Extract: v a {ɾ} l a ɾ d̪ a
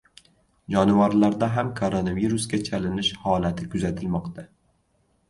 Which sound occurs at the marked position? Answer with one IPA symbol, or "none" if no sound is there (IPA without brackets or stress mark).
ɾ